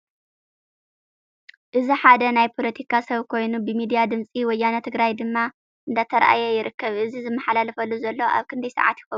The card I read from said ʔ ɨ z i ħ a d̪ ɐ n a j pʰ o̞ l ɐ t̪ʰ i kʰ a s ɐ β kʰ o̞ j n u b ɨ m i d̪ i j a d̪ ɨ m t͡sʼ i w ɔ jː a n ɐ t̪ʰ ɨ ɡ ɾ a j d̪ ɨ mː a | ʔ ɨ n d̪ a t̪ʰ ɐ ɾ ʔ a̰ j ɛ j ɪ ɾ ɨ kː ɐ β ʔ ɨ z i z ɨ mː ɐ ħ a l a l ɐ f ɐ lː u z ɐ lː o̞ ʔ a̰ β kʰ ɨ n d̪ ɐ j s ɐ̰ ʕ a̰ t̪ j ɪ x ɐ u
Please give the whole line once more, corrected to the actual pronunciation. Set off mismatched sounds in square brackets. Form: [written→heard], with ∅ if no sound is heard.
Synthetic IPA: ʔ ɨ z i ħ a d̪ ɐ n a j pʰ o̞ l ɐ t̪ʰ i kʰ a s ɐ β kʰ o̞ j n u b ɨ m i d̪ i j a d̪ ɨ m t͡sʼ i w ɔ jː a n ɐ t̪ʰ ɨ ɡ ɾ a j d̪ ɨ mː a | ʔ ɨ n d̪ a t̪ʰ ɐ ɾ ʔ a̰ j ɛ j ɪ ɾ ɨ kː ɐ β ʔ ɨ z i z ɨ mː ɐ ħ a l a l ɐ f ɐ lː u z ɐ lː o̞ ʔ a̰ β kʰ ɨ n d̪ ɐ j s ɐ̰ ʕ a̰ t̪ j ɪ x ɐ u

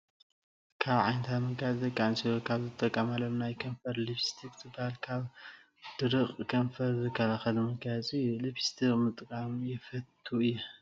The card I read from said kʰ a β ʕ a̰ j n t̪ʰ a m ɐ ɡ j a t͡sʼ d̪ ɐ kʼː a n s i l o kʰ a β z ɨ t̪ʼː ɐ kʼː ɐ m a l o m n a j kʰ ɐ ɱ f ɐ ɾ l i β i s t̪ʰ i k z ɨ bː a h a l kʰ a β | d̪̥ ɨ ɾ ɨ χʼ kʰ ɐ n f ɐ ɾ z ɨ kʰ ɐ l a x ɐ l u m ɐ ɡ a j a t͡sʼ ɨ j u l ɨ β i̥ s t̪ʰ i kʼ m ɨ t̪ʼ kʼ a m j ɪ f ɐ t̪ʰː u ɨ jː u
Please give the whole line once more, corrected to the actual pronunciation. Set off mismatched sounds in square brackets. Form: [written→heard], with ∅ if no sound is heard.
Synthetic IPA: kʰ a β ʕ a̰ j n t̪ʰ a m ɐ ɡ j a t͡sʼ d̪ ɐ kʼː a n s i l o kʰ a β z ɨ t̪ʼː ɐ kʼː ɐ m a l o m n a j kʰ ɐ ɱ f ɐ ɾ l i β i s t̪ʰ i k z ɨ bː a h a l kʰ a β | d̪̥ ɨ ɾ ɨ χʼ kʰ ɐ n f ɐ ɾ z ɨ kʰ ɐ l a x ɐ l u m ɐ ɡ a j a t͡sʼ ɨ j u l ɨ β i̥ s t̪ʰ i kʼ m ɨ t̪ʼ kʼ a m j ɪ f ɐ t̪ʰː u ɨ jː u

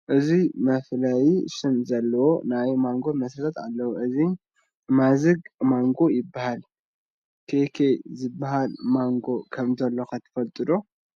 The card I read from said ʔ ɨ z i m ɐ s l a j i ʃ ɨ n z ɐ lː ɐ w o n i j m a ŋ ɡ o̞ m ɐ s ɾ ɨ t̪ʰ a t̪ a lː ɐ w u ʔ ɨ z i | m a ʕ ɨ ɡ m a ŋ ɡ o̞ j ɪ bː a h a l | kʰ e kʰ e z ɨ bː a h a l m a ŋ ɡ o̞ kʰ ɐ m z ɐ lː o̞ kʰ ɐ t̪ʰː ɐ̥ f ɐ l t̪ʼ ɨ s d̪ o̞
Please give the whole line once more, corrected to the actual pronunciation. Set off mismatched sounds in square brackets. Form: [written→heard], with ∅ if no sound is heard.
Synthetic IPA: ʔ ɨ z i m ɐ [s→f] l a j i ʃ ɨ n z ɐ lː ɐ w o n [i→a] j m a ŋ ɡ o̞ m ɐ s ɾ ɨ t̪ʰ a t̪ a lː ɐ w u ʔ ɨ z i | m a [ʕ→z] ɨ ɡ m a ŋ ɡ o̞ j ɪ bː a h a l | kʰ e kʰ e z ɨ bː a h a l m a ŋ ɡ o̞ kʰ ɐ m z ɐ lː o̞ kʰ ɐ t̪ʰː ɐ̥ f ɐ l t̪ʼ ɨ [s→∅] d̪ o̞

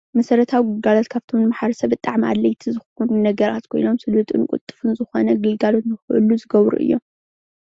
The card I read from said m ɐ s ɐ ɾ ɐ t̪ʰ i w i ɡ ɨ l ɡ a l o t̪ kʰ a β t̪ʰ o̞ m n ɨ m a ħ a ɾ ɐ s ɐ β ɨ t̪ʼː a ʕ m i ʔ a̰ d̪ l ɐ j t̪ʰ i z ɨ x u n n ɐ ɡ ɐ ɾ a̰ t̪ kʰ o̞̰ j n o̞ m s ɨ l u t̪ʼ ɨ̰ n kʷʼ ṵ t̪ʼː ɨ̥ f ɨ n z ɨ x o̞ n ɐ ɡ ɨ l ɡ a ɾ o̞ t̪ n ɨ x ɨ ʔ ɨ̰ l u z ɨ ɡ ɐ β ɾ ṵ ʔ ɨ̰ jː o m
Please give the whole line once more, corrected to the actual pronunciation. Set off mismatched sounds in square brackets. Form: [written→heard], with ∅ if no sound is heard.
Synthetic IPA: m ɐ s ɐ ɾ ɐ t̪ʰ [i→a] w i ɡ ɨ l ɡ a l o t̪ kʰ a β t̪ʰ o̞ m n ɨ m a ħ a ɾ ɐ s ɐ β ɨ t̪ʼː a ʕ m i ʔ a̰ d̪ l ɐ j t̪ʰ i z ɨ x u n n ɐ ɡ ɐ ɾ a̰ t̪ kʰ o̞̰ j n o̞ m s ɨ l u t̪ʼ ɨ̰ n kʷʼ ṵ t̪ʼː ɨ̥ f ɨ n z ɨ x o̞ n ɐ ɡ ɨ l ɡ a [ɾ→l] o̞ t̪ n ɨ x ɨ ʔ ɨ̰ l u z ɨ ɡ ɐ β ɾ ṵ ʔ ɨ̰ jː o m

